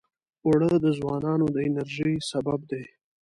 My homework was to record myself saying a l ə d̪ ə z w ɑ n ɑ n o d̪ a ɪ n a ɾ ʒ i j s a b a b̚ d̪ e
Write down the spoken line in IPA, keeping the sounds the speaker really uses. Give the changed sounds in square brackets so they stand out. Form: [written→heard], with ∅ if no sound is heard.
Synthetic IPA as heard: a [l→ɽ] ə d̪ ə z w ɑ n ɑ n o d̪ [a→ə] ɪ n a ɾ ʒ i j s a b a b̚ d̪ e